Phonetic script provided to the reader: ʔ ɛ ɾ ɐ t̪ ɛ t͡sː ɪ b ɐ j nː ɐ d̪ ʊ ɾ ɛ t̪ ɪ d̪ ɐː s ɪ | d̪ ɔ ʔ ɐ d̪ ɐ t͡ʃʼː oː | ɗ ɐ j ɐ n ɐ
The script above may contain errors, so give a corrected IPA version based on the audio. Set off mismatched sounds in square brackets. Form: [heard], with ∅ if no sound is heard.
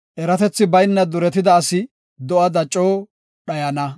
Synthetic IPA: ʔ ɛ ɾ ɐ t̪ ɛ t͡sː ɪ b ɐ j nː ɐ d̪ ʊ ɾ ɛ t̪ ɪ d̪ ɐː s ɪ | d̪ ɔ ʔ ɐ d̪ ɐ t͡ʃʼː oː | ɗ ɐ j ɐ n ɐ